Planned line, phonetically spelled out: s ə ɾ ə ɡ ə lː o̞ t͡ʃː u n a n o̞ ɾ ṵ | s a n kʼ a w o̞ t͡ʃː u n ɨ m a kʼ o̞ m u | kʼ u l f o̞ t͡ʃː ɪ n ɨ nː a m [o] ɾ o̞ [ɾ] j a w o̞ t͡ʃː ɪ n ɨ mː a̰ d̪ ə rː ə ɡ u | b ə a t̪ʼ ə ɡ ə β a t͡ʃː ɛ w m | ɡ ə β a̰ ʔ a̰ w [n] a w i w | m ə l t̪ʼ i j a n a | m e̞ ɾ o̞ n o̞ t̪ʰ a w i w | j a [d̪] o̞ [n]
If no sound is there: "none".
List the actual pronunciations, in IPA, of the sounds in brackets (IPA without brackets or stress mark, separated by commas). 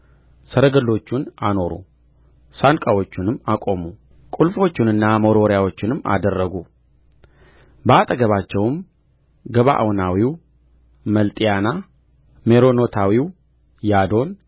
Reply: o, ɾ, n, d̪, n